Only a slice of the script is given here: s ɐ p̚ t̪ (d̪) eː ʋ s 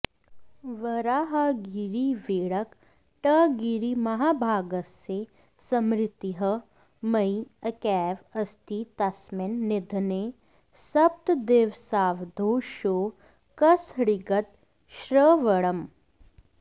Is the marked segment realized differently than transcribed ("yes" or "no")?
no